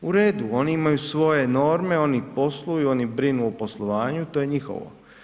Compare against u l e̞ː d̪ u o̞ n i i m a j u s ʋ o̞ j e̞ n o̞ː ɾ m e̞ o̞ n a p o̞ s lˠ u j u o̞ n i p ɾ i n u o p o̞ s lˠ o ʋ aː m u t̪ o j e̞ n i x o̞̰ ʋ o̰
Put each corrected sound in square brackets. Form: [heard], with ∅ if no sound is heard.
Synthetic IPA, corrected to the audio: u [ɾ] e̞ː d̪ u o̞ n i i m a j u s ʋ o̞ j e̞ n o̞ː ɾ m e̞ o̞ n [i] p o̞ s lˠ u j u o̞ n i [b] ɾ i n u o p o̞ s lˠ o ʋ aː [ɲ] u t̪ o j e̞ [ɲ] i x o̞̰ ʋ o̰

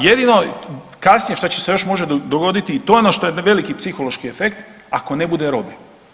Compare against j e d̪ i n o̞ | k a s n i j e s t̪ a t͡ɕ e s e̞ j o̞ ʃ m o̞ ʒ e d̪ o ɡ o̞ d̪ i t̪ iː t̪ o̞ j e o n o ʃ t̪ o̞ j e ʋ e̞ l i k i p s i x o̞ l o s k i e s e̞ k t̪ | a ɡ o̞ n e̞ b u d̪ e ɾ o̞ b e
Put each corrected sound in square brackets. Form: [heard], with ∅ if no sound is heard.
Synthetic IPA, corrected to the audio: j e d̪ i n o̞ | k a s n i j e [ʃ] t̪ a t͡ɕ e s e̞ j o̞ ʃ m o̞ ʒ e d̪ o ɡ o̞ d̪ i t̪ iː t̪ o̞ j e o n o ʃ t̪ o̞ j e ʋ e̞ l i k i p s i x o̞ l o [ʃ] k i e [f] e̞ k t̪ | a [k] o̞ n e̞ b u d̪ e ɾ o̞ b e

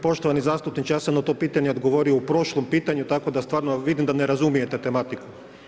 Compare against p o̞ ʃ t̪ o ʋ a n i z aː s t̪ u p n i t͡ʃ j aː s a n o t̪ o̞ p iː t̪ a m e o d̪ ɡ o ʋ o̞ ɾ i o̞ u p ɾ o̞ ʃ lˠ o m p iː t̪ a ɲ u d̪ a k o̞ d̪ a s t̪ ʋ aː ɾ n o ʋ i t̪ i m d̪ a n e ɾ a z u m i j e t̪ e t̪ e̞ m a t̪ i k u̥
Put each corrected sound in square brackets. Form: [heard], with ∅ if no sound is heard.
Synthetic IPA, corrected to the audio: p o̞ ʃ t̪ o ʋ a n i z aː s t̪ u p n i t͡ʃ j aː s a n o t̪ o̞ p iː t̪ a [ɲ] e o d̪ ɡ o ʋ o̞ ɾ i o̞ u p ɾ o̞ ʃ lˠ o m p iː t̪ a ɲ u [t̪] a k o̞ d̪ a s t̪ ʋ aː ɾ n o ʋ i [d̪] i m d̪ a n e ɾ a z u m i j e t̪ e t̪ e̞ m a t̪ i k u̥

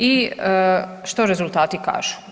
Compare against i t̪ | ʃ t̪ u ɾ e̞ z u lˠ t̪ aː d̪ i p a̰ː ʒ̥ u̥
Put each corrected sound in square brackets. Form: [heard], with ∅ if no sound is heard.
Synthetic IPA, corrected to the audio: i [∅] | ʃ t̪ [o] ɾ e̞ z u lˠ t̪ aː [t̪] i [k] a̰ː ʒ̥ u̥

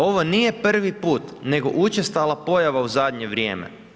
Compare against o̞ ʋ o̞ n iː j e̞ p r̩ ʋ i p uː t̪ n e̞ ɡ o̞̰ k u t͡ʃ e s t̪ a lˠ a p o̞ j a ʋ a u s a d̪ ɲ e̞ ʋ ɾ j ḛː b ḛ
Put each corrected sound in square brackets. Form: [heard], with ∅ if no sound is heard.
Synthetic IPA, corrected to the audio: o̞ ʋ o̞ n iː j e̞ p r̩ ʋ i p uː t̪ n e̞ ɡ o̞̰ [ʔ] u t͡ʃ e s t̪ a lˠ a p o̞ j a ʋ a u [z] a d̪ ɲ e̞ ʋ ɾ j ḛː [m] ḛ

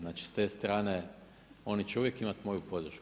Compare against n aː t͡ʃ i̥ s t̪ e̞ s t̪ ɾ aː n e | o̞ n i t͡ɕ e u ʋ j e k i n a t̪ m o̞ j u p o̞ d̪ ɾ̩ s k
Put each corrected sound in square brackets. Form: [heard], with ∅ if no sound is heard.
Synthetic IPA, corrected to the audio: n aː t͡ʃ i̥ s t̪ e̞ s t̪ ɾ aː n e | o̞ n i t͡ɕ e u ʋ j e k i [m] a t̪ m o̞ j u p o̞ d̪ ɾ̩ [ʃ] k

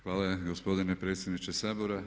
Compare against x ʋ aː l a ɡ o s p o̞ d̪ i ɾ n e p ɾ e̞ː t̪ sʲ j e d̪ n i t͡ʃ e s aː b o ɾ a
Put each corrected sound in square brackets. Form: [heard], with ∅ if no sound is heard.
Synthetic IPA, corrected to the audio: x ʋ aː l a ɡ o s p o̞ d̪ i [∅] n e p ɾ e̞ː t̪ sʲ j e d̪ n i t͡ʃ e s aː b o ɾ a

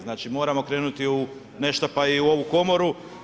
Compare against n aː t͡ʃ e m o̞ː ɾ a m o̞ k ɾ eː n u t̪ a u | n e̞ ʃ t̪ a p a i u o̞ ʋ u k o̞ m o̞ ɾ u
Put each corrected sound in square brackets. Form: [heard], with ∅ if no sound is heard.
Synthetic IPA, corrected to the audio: n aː t͡ʃ [i] m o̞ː ɾ a m o̞ k ɾ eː n u t̪ [i] u | n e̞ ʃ t̪ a p a i u o̞ ʋ u k o̞ m o̞ ɾ u

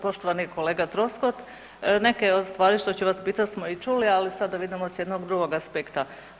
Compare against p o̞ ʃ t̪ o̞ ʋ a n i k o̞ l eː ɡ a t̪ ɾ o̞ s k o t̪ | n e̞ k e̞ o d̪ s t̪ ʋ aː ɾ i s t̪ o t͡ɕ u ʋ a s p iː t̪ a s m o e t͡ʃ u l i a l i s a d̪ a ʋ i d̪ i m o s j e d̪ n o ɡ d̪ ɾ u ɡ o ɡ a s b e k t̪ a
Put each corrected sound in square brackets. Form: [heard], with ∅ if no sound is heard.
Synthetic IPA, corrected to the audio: p o̞ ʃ t̪ o̞ ʋ a n i k o̞ l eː ɡ a t̪ ɾ o̞ s k o t̪ | n e̞ k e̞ o d̪ s t̪ ʋ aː ɾ i [ʃ] t̪ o t͡ɕ u ʋ a s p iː t̪ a s m o [i] t͡ʃ u l i a l i s a d̪ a ʋ i d̪ i m o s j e d̪ n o ɡ d̪ ɾ u ɡ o ɡ a s [p] e k t̪ a

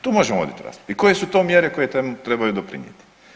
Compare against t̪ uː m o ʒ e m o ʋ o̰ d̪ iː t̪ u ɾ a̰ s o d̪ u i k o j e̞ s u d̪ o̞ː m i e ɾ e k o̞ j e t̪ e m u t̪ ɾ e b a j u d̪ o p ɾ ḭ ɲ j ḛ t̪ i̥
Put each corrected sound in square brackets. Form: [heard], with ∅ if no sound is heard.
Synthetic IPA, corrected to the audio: t̪ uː m o ʒ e m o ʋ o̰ d̪ [i] t̪ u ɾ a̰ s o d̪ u i k o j e̞ s u [t̪] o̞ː m [j] e ɾ e k o̞ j e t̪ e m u t̪ ɾ e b a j u d̪ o p ɾ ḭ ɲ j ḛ t̪ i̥

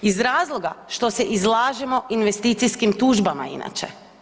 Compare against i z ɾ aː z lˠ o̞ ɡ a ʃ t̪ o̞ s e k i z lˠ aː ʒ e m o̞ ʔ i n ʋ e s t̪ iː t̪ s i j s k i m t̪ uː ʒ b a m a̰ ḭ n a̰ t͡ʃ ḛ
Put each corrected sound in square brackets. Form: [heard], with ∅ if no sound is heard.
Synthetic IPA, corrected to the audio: i z ɾ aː z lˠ o̞ ɡ a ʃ t̪ o̞ s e [ʔ] i z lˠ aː ʒ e m o̞ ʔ i n ʋ e s t̪ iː t̪ s i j s k i m t̪ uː ʒ b a m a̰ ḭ n a̰ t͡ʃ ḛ

